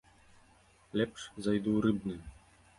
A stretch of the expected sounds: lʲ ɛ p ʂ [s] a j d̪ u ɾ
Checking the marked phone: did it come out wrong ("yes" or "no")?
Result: yes